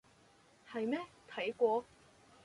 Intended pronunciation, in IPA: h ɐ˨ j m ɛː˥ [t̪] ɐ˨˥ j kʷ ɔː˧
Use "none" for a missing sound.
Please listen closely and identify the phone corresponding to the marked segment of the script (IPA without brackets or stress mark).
t̪ʰ